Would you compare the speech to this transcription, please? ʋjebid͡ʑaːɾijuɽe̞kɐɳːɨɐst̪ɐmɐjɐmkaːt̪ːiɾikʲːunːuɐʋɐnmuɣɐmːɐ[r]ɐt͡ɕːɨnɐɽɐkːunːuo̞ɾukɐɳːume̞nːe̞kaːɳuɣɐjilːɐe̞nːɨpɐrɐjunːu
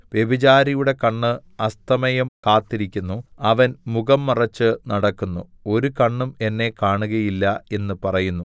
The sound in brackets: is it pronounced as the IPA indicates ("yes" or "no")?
yes